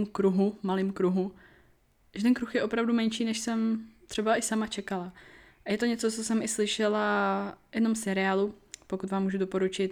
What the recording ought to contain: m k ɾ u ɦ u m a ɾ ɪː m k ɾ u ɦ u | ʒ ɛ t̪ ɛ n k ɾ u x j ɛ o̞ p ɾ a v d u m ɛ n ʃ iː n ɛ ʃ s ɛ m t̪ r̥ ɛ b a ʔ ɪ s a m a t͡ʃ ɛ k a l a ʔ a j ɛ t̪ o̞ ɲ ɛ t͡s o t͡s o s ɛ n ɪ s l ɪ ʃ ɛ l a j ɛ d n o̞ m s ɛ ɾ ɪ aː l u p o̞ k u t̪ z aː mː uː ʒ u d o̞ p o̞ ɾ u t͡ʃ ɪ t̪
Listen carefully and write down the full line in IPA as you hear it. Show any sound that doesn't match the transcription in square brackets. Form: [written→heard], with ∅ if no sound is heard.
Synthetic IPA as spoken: m k ɾ u ɦ u m a [ɾ→l] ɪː m k ɾ u ɦ u | ʒ ɛ t̪ ɛ n k ɾ u x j ɛ o̞ p ɾ a v d u m ɛ n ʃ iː n ɛ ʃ s ɛ m t̪ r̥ ɛ b a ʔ ɪ s a m a t͡ʃ ɛ k a l a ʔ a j ɛ t̪ o̞ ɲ ɛ t͡s o t͡s o s ɛ [n→m] ɪ s l ɪ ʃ ɛ l a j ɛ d n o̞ m s ɛ ɾ ɪ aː l u p o̞ k u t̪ [z→v] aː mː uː ʒ u d o̞ p o̞ ɾ u t͡ʃ ɪ t̪